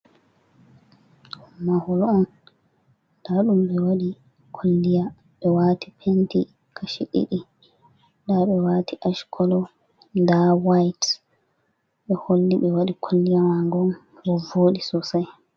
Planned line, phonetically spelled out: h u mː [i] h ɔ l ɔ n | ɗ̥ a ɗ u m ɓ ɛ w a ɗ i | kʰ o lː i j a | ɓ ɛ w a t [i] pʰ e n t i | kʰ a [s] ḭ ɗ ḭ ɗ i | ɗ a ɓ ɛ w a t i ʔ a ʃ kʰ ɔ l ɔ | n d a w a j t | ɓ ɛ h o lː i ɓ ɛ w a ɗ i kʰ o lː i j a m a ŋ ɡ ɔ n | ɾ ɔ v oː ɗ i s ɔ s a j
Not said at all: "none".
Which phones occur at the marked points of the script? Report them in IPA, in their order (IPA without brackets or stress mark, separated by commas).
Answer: a, i, ʃ